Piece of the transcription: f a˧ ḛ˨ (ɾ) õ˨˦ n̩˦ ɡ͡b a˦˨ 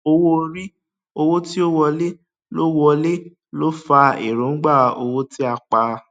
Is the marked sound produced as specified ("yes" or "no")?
yes